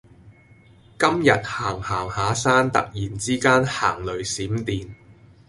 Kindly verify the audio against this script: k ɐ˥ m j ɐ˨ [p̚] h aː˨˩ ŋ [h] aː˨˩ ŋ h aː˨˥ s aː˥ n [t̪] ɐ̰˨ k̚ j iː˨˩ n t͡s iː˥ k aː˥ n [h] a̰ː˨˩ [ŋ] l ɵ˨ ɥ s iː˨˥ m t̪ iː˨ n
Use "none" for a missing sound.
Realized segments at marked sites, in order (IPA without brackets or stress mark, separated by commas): t̚, h, t̪, h, ŋ